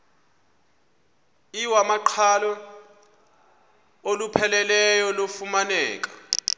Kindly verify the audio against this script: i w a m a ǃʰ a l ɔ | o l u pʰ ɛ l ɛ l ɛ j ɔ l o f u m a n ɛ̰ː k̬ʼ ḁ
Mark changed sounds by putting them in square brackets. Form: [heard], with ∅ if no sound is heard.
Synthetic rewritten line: i w a m a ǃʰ a l ɔ | o l u pʰ ɛ l ɛ l ɛ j ɔ l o f u m a n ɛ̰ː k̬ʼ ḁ

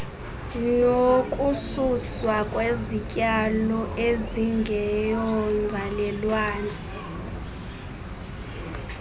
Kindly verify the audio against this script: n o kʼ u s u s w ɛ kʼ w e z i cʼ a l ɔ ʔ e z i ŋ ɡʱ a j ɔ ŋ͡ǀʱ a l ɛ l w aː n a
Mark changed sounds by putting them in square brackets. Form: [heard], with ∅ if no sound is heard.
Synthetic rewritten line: n o kʼ u s u s w [a] kʼ w e z i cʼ a l ɔ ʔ e z i ŋ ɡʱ [ɛ] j ɔ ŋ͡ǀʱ a l ɛ l w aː n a

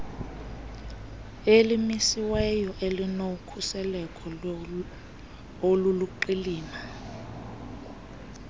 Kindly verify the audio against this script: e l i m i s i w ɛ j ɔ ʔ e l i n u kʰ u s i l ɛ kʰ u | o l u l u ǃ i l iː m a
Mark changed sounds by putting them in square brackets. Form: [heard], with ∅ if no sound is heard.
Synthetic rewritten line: e l i m i s i w ɛ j ɔ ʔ e l i n [o] kʰ u s [ɛ] l ɛ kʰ [ɔ] | o l u l u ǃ i l iː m a

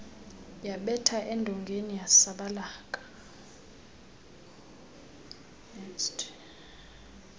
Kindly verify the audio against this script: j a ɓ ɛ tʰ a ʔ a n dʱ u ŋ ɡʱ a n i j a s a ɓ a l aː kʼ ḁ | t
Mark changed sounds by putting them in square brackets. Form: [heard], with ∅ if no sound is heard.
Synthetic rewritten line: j a ɓ ɛ tʰ a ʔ [ɛ] n dʱ [ɔ] ŋ ɡʱ [e] n i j a s a ɓ a l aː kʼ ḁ | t

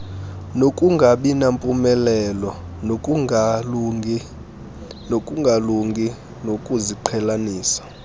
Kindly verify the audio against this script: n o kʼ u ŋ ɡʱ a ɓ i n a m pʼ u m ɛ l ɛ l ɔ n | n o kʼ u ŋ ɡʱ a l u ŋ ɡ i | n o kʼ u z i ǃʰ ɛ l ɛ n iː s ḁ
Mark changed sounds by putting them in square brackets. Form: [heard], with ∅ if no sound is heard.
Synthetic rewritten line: n o kʼ u ŋ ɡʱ a ɓ i n a m pʼ u m ɛ l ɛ l ɔ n | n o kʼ u ŋ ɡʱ a l u ŋ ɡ i | n o kʼ u z i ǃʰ ɛ l [a] n iː s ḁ

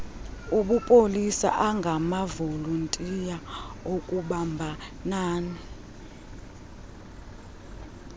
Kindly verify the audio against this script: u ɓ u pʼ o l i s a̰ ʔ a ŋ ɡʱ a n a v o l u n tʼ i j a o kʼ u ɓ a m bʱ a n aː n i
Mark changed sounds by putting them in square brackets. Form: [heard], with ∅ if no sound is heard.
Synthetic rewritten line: u ɓ u pʼ o l i s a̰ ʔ a ŋ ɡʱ a [m] a v o l u n tʼ i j a o kʼ u ɓ a m bʱ a n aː n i

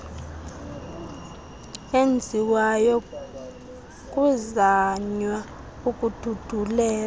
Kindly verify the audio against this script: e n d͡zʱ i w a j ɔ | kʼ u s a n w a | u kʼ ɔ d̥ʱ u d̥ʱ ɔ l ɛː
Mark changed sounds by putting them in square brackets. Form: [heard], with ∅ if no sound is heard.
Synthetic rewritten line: e n d͡zʱ i w a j ɔ | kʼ u [z] a [ɲ] w a | u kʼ [u] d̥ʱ u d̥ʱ [u] l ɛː

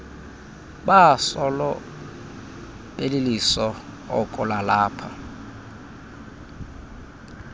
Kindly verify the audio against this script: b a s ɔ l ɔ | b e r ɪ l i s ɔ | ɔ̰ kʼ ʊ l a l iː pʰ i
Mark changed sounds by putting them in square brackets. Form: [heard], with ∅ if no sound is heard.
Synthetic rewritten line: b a s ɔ l ɔ | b e [l] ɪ l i s ɔ | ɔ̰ kʼ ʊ l a l [aː] pʰ [a]

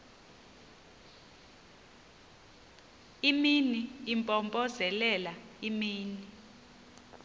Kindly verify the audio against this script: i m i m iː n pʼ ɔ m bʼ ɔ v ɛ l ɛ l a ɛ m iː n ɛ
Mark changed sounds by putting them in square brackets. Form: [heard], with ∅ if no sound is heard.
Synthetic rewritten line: i m i [n] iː [m] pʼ ɔ m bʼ ɔ [z] ɛ l ɛ l a [i] m iː n [i]

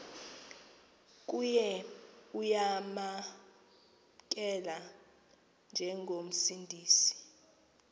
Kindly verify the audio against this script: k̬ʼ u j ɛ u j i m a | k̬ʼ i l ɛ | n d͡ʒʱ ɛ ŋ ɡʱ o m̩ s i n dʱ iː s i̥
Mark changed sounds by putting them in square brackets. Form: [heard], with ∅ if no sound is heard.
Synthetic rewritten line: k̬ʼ u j ɛ u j [a] m a | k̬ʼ [ɛ] l [a] | n d͡ʒʱ ɛ ŋ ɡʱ o m̩ s i n dʱ iː s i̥

